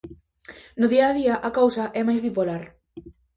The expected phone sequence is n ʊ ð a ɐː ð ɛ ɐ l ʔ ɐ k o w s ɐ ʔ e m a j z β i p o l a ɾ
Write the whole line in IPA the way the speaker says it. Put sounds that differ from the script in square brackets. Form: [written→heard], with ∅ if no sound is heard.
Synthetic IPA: n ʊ ð [a→i] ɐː ð [ɛ→i] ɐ [l→∅] ʔ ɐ k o w s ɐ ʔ [e→ɛ] m a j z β i p o l a ɾ